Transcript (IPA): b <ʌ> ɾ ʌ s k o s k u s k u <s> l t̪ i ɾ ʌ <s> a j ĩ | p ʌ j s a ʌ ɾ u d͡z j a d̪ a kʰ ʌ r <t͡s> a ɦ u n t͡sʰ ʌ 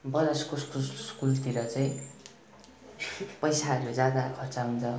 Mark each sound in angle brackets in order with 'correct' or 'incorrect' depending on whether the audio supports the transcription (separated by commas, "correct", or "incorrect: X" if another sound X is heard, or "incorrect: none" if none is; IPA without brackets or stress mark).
correct, incorrect: none, incorrect: t͡s, correct